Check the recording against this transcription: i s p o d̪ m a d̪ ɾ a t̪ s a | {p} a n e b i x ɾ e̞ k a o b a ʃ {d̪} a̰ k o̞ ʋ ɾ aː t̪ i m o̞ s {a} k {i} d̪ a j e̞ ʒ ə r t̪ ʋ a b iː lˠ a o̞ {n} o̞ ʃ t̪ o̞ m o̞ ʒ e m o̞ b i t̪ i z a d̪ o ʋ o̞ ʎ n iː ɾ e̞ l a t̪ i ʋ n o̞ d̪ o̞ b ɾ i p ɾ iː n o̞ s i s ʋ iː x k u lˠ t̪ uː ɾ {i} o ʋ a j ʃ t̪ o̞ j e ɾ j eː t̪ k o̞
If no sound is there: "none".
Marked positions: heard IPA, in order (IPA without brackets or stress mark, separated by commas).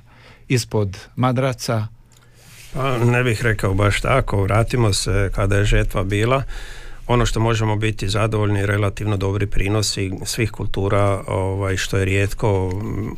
p, t̪, e, a, n, a